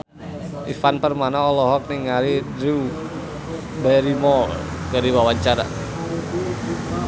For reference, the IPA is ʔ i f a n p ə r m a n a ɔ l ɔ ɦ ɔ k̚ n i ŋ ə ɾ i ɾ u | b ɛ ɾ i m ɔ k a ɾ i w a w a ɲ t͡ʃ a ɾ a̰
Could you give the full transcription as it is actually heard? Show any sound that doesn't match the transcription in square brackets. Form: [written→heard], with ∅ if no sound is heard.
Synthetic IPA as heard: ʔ i f a n p ə r m a n a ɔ l ɔ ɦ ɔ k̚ n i ŋ [ə→a] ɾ i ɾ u | b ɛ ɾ i m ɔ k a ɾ i w a w a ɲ t͡ʃ a ɾ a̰

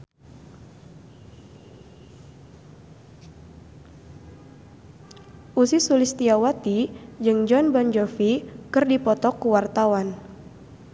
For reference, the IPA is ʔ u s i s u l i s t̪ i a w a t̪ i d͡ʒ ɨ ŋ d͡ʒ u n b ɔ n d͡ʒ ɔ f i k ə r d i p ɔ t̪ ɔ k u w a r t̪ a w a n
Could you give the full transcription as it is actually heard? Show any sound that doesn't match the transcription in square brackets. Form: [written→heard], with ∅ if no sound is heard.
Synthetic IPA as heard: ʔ u s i s u l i s t̪ i a w a t̪ i d͡ʒ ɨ ŋ d͡ʒ [u→ɔ] n b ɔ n d͡ʒ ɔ f i k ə r d i p ɔ t̪ ɔ k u w a r t̪ a w a n

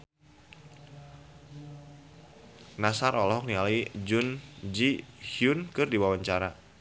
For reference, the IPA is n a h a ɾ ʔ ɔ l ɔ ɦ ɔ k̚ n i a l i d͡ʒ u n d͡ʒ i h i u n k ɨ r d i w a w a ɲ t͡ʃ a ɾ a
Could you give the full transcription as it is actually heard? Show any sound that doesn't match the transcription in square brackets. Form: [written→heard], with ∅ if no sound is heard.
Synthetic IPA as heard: n a [h→s] a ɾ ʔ ɔ l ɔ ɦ ɔ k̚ n i a l i d͡ʒ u n d͡ʒ i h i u n k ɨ r d i w a w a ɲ t͡ʃ a ɾ a

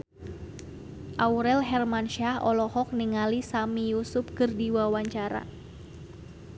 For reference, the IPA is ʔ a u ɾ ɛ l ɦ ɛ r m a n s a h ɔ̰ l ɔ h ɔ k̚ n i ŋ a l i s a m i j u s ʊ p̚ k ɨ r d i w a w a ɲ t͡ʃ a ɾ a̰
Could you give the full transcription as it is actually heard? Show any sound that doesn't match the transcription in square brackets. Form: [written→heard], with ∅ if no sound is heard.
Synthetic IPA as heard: ʔ a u ɾ ɛ l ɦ ɛ r m a n [s→ʃ] a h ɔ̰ l ɔ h ɔ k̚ n i ŋ a l i s a m i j u s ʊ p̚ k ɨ r d i w a w a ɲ t͡ʃ a ɾ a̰

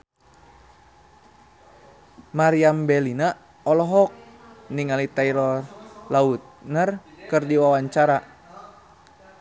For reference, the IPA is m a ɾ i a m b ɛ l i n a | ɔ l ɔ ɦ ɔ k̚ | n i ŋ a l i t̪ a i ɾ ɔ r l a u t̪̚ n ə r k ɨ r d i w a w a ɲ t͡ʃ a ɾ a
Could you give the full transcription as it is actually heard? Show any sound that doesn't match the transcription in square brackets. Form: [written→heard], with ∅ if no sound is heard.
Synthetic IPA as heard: m a ɾ i a m b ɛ l i n a | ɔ l ɔ ɦ ɔ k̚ | n i ŋ a l i t̪ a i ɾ ɔ r l a u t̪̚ n ə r k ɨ r d i w a w a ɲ t͡ʃ a ɾ a

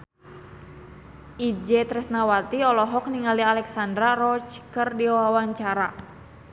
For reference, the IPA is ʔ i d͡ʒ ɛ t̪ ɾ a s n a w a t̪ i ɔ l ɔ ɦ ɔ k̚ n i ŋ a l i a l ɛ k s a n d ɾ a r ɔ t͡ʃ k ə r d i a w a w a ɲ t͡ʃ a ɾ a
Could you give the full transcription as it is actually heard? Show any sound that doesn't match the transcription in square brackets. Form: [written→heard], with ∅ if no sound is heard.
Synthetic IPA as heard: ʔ i d͡ʒ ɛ t̪ ɾ [a→ɛ] s n a w a t̪ i ɔ l ɔ ɦ ɔ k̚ n i ŋ a l i a l ɛ k s a n d ɾ a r ɔ t͡ʃ k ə r d i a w a w a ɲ t͡ʃ a ɾ a

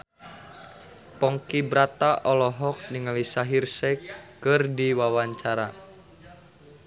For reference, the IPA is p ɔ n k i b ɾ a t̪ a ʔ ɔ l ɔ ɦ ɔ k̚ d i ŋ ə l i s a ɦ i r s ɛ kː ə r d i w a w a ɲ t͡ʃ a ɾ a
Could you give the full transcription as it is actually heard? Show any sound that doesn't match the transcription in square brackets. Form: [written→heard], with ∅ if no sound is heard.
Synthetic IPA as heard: p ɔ [n→ŋ] k i b ɾ a t̪ a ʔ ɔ l ɔ ɦ ɔ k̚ [d→n] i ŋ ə l i s a ɦ i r s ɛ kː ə r d i w a w a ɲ t͡ʃ a ɾ a

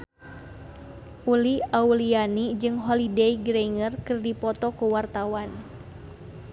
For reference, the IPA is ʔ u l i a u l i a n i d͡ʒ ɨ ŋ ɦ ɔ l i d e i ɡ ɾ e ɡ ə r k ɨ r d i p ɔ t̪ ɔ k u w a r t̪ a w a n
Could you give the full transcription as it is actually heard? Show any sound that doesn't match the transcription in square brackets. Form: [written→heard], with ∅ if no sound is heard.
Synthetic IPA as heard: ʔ u l i a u l i a n i d͡ʒ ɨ ŋ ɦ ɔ l i d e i ɡ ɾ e [ɡ→ŋ] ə r k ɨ r d i p ɔ t̪ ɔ k u w a r t̪ a w a n

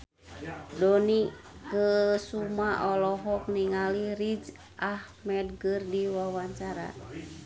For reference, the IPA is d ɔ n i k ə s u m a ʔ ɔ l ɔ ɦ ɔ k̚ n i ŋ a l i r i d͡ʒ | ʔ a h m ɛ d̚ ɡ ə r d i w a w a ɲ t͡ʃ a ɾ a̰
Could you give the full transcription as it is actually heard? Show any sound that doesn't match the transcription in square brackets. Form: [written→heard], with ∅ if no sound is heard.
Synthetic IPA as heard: d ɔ n i k ə s u m a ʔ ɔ l ɔ ɦ ɔ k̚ n i ŋ a l i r i d͡ʒ | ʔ a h m ɛ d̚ ɡ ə r d i w a w a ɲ t͡ʃ a ɾ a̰

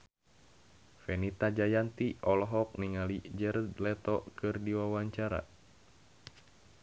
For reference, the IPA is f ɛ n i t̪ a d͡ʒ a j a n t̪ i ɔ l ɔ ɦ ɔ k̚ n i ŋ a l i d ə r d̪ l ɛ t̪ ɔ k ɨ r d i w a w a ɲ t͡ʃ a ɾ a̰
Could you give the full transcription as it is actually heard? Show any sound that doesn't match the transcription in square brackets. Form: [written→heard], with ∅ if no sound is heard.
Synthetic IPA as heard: f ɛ n i t̪ a d͡ʒ a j a n t̪ i ɔ l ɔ ɦ ɔ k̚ n i ŋ a l i [d→d͡ʒ] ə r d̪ l ɛ t̪ ɔ k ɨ r d i w a w a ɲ t͡ʃ a ɾ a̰

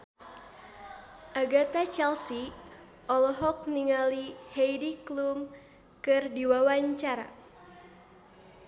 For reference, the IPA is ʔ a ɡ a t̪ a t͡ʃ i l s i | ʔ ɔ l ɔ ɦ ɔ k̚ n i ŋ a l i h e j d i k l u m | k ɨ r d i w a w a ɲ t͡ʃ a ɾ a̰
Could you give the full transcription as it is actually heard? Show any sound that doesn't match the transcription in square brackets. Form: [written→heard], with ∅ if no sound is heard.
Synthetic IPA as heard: ʔ a ɡ a t̪ a t͡ʃ [i→ɛ] l s i | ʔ ɔ l ɔ ɦ ɔ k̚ n i ŋ a l i h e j d i k l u m | k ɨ r d i w a w a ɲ t͡ʃ a ɾ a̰

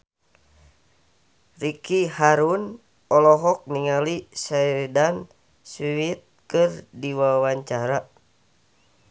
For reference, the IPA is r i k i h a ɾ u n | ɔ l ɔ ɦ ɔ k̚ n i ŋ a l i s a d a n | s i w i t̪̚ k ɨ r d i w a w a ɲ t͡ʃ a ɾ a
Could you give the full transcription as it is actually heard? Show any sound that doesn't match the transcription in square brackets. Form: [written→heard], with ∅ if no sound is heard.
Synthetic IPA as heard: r i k i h a ɾ u n | ɔ l ɔ ɦ ɔ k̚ n i ŋ a l i s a d a n | s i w i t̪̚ k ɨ r d i w a w a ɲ t͡ʃ a ɾ a

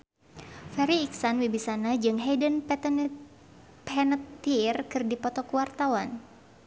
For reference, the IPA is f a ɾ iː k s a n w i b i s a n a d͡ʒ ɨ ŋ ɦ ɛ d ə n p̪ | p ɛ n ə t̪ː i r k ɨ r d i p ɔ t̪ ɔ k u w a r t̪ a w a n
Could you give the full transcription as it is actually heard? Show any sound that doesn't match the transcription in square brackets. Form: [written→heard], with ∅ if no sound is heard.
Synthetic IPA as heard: f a ɾ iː k s a n w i b i s a n a d͡ʒ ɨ ŋ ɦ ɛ d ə n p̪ | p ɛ n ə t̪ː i r k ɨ r d i p ɔ t̪ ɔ k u w a r t̪ a w a n

